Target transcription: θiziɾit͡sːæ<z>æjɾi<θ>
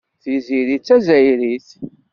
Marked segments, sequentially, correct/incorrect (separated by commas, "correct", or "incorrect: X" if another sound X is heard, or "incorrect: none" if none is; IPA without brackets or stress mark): correct, correct